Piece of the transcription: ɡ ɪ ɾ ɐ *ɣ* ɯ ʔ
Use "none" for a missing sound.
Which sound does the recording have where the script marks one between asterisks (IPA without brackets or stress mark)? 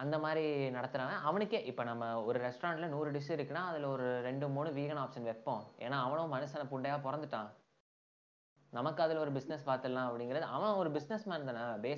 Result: ð